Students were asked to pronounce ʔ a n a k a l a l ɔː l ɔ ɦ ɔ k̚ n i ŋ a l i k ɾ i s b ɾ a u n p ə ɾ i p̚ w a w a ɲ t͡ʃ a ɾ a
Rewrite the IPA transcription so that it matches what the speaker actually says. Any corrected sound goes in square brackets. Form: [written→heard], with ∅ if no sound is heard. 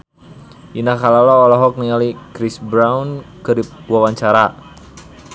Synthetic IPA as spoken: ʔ [a→i] n a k a l a l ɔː l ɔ ɦ ɔ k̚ n i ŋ a l i k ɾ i s b ɾ a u n [p→k] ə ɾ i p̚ w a w a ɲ t͡ʃ a ɾ a